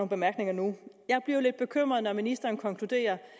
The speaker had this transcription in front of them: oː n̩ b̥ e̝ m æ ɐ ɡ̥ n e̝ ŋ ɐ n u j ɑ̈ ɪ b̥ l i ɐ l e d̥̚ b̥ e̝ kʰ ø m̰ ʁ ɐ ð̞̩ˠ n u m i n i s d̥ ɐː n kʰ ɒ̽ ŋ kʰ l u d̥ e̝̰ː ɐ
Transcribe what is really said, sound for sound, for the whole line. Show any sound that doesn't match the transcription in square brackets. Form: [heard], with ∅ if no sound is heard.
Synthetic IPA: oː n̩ b̥ e̝ m æ ɐ ɡ̥ n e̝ ŋ ɐ n u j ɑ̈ ɪ b̥ l i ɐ l e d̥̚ b̥ e̝ kʰ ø m̰ ʁ ɐ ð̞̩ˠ n [ɒ] m i n i s d̥ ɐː n kʰ ɒ̽ ŋ kʰ l u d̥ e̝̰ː ɐ